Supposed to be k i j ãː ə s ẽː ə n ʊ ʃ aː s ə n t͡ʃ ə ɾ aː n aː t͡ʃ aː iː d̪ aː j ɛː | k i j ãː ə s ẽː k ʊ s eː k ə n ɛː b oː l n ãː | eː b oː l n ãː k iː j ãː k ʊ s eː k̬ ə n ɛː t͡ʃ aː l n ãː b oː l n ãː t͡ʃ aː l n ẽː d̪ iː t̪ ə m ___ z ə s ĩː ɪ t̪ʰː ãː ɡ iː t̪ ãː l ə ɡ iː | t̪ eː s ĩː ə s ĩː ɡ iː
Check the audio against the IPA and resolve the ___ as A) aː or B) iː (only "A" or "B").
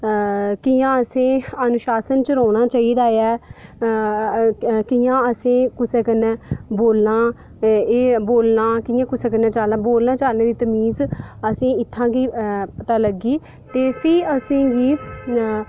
B